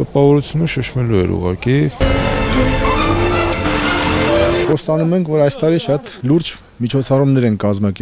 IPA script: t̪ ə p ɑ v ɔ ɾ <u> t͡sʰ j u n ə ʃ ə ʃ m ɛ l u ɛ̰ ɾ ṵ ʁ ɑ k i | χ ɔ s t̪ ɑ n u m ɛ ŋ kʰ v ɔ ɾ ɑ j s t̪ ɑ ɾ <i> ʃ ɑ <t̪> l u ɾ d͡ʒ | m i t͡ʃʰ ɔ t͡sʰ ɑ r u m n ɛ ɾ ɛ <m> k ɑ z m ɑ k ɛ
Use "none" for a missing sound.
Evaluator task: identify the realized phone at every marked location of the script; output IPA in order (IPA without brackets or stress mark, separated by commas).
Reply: u, i, t̪, n